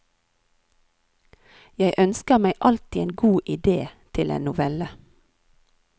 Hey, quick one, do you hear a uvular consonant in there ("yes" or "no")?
no